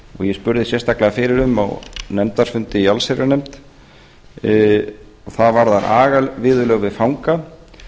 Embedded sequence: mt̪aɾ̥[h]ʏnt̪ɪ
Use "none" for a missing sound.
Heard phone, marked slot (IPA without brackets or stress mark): f